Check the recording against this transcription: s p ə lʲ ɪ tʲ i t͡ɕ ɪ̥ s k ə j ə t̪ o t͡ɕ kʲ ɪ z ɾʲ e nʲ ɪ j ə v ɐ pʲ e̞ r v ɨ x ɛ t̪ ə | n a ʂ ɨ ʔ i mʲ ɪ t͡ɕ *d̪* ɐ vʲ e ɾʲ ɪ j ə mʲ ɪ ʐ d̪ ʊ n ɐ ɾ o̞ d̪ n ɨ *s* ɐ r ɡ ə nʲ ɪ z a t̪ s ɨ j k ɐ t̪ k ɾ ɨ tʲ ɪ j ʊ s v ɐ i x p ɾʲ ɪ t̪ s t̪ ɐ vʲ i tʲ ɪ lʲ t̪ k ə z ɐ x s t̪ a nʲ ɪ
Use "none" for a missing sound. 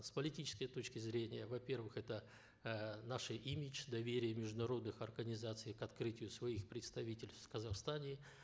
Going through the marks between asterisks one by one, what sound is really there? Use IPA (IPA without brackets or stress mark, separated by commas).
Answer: d̪, x